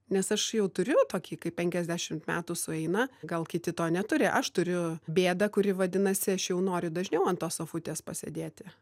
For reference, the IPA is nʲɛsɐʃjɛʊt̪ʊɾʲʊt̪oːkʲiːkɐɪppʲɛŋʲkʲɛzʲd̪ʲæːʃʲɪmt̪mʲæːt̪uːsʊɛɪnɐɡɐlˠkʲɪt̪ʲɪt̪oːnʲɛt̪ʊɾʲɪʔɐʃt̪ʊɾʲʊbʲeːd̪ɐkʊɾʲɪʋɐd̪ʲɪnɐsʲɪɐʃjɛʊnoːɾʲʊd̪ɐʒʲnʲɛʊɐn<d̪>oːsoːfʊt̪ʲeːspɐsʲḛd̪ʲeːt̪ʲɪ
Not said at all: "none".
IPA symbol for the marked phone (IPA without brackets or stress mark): t̪